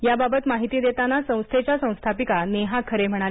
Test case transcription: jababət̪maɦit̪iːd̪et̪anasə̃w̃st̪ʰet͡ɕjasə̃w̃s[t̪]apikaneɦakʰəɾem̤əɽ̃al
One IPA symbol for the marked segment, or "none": t̪ʰ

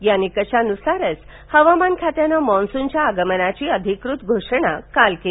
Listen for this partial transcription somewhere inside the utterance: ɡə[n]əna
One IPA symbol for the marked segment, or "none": m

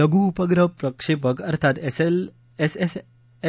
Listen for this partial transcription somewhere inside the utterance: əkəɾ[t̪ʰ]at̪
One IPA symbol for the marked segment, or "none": t̪ʰ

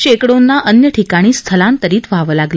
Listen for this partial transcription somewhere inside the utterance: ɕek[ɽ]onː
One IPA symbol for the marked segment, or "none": ɽ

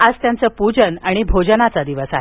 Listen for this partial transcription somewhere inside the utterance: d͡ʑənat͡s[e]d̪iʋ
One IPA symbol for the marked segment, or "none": a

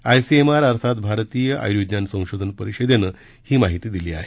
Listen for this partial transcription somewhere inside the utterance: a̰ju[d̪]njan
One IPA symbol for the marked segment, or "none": d̪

